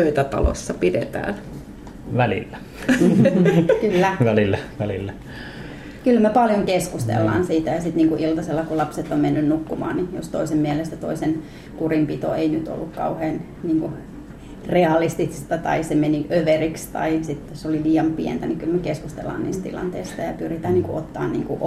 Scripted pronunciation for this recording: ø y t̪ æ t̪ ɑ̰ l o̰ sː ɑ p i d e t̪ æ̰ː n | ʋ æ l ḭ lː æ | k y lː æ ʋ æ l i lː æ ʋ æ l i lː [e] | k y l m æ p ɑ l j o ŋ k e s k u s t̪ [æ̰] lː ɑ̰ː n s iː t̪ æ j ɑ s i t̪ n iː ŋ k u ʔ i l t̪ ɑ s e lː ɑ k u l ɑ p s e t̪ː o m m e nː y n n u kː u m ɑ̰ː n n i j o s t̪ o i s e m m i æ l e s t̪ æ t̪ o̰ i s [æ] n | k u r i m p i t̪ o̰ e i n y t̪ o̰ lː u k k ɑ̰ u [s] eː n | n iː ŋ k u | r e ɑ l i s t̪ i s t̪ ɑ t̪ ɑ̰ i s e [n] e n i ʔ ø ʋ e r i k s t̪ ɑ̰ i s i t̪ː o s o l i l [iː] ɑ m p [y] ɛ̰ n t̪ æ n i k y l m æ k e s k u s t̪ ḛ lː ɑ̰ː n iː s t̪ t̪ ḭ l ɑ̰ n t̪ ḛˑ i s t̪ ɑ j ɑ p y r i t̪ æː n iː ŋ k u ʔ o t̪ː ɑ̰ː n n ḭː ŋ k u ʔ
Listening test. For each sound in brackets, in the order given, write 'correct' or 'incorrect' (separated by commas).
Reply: incorrect, incorrect, incorrect, incorrect, incorrect, correct, incorrect